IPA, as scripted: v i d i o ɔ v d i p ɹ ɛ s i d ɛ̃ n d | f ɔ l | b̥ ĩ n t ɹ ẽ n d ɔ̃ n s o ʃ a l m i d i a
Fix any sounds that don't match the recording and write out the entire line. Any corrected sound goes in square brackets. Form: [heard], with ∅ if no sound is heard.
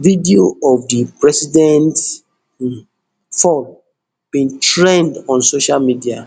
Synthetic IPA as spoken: v i d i o ɔ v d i p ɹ ɛ s i d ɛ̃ n [t] | f ɔ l | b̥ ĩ n t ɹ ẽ n d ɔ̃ n s o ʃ a l m i d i a